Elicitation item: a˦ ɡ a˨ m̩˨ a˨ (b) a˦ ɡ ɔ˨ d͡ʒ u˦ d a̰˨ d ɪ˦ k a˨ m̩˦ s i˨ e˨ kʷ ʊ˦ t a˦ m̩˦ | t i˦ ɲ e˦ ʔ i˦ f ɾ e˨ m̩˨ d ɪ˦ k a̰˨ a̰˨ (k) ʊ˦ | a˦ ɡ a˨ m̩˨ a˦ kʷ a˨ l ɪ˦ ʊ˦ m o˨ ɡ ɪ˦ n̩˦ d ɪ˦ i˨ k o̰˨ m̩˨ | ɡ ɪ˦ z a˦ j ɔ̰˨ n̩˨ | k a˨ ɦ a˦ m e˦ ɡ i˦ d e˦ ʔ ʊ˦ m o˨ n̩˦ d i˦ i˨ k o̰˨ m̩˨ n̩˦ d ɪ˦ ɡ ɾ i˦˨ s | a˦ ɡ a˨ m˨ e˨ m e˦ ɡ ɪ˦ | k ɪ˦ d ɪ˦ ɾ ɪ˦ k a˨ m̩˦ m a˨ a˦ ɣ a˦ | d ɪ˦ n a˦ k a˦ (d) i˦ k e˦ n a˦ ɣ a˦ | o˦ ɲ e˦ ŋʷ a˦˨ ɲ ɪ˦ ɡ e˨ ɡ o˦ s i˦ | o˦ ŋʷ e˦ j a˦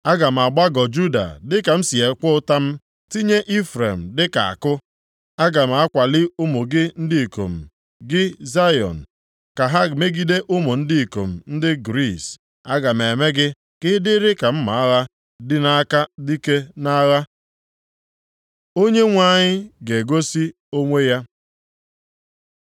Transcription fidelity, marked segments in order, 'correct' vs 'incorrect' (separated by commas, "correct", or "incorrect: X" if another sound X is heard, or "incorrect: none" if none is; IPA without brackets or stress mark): incorrect: ɡ͡b, correct, correct